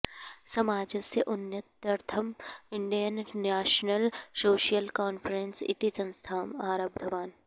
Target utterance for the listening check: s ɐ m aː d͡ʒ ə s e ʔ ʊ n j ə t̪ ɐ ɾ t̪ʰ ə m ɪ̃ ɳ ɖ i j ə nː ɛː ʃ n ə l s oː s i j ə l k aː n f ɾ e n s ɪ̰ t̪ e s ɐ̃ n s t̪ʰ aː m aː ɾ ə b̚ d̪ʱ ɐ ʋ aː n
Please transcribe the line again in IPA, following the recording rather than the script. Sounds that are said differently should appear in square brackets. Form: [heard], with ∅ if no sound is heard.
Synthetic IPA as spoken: s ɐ m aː d͡ʒ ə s e ʔ ʊ n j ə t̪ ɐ ɾ t̪ʰ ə m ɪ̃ ɳ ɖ i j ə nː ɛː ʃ n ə l s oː [ʃ] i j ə l k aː n f ɾ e n s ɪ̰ t̪ [i] s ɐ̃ n s t̪ʰ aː m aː ɾ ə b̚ d̪ʱ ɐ ʋ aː n

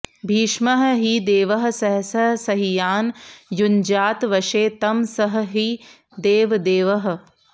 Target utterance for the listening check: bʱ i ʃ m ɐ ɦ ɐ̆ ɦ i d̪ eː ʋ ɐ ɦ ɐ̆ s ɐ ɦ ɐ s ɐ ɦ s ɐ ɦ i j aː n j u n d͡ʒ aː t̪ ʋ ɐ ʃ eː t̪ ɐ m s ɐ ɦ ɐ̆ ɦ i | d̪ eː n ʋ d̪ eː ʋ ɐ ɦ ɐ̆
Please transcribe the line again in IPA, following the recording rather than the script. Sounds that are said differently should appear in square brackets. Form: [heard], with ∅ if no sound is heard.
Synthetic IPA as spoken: bʱ [iː] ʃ m ɐ ɦ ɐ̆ ɦ i d̪ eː ʋ ɐ ɦ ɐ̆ s ɐ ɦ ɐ s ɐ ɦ s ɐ ɦ i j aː n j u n d͡ʒ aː t̪ ʋ ɐ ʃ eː t̪ ɐ m s ɐ ɦ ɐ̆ ɦ i | d̪ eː [∅] ʋ d̪ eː ʋ ɐ ɦ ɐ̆

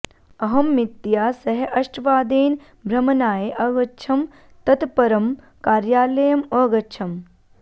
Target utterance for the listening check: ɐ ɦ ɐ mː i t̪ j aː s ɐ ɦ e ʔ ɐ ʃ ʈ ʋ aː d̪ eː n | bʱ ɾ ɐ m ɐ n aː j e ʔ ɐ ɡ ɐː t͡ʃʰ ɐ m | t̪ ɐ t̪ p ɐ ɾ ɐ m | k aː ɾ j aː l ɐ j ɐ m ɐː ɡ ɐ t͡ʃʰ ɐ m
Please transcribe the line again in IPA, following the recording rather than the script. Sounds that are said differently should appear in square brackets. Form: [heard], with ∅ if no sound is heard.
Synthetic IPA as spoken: ɐ ɦ ɐ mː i t̪ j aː s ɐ ɦ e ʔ ɐ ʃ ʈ ʋ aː d̪ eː n | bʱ ɾ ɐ m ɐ n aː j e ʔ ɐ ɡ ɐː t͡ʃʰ ɐ m | t̪ ɐ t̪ p ɐ ɾ ɐ m | k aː ɾ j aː l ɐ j ɐ m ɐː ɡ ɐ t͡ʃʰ ɐ m

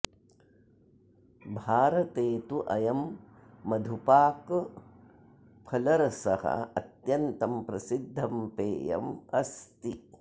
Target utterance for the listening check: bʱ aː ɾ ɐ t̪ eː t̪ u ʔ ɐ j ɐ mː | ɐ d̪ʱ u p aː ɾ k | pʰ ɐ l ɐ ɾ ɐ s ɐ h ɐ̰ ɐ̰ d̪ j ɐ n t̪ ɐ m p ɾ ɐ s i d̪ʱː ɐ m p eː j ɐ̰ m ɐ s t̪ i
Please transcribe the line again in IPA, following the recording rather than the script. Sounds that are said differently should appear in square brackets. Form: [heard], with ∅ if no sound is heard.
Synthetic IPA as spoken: bʱ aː ɾ ɐ t̪ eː t̪ u ʔ ɐ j ɐ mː | ɐ d̪ʱ u p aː [∅] k | pʰ ɐ l ɐ ɾ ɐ s ɐ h ɐ̰ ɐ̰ [t̪] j ɐ n t̪ ɐ m p ɾ ɐ s i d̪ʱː ɐ m p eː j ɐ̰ m ɐ s t̪ i

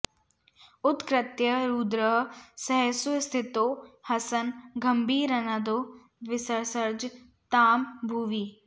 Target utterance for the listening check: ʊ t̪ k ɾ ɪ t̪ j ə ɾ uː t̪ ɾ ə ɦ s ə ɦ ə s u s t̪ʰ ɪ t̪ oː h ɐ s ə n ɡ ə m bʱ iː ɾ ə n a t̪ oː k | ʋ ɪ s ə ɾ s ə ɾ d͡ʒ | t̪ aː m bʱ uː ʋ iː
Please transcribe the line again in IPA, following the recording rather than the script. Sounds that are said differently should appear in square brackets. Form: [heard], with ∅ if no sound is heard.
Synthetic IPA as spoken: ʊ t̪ k ɾ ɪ t̪ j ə ɾ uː [d̪] ɾ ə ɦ s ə ɦ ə s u s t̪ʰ ɪ t̪ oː h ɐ s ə n ɡ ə m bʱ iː ɾ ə n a [d̪] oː [∅] | ʋ ɪ s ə ɾ s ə ɾ d͡ʒ | t̪ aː m bʱ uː ʋ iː

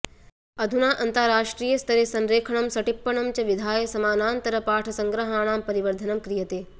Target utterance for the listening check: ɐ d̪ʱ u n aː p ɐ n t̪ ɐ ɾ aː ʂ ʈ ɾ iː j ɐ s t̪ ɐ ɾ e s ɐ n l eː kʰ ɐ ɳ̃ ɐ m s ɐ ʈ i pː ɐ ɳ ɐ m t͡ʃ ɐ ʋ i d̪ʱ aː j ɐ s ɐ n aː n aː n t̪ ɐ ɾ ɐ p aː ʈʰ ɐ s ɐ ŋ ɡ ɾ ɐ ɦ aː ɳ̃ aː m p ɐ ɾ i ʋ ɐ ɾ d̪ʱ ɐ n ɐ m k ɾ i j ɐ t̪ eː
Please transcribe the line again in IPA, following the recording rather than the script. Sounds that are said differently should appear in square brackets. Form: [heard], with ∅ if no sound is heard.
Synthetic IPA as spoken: ɐ d̪ʱ u n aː [ʔ] ɐ n t̪ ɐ ɾ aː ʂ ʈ ɾ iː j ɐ s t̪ ɐ ɾ e s ɐ n [ɾ] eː kʰ ɐ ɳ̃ ɐ m s ɐ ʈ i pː ɐ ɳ ɐ m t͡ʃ ɐ ʋ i d̪ʱ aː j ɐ s ɐ [m] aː n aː n t̪ ɐ ɾ ɐ p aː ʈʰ ɐ s ɐ ŋ ɡ ɾ ɐ ɦ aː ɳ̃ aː m p ɐ ɾ i ʋ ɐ ɾ d̪ʱ ɐ n ɐ m k ɾ i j ɐ t̪ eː

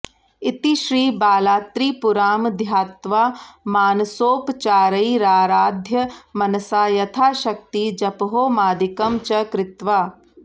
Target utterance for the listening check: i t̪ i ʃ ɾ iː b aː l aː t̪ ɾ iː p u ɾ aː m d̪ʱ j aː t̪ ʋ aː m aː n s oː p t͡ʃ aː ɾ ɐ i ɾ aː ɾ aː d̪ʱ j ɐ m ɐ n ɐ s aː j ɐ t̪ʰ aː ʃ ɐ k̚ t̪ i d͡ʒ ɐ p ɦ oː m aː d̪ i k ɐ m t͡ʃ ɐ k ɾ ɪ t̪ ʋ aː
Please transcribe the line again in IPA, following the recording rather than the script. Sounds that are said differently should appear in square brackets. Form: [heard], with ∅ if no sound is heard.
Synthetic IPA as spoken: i t̪ i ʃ ɾ iː b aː l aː t̪ ɾ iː p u ɾ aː m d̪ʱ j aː t̪ ʋ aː m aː n s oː p t͡ʃ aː ɾ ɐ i ɾ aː ɾ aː d̪ʱ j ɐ m ɐ n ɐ s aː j ɐ t̪ʰ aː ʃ ɐ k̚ t̪ i d͡ʒ ɐ p ɦ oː m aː d̪ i k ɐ m t͡ʃ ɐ k ɾ ɪ t̪ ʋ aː

